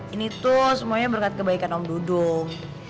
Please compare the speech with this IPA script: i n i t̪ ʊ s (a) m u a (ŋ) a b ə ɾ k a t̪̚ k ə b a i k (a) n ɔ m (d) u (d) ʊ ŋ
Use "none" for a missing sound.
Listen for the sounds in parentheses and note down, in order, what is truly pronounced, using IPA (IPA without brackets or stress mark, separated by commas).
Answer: ə, ɲ, a, d, d